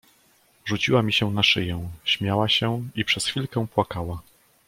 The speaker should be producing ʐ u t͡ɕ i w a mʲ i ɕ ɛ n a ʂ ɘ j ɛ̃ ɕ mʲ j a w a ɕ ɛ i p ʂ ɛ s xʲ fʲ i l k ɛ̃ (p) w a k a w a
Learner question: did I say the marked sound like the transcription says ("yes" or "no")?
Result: yes